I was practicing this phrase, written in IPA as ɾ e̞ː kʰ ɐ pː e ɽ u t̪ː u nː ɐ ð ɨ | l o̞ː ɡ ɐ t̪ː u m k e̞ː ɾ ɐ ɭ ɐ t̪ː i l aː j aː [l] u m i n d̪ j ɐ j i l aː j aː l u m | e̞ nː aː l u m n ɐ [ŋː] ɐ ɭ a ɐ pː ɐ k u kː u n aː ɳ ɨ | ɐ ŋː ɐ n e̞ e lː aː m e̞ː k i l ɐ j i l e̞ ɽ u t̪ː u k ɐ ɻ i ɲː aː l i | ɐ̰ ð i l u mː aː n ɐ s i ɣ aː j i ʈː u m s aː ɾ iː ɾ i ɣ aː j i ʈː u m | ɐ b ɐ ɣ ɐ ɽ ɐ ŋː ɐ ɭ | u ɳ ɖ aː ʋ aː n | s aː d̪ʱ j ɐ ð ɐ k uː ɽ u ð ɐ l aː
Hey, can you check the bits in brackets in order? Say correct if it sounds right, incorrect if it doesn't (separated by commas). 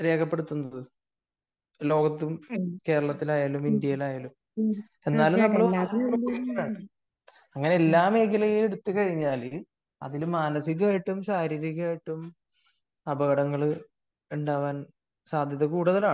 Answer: correct, incorrect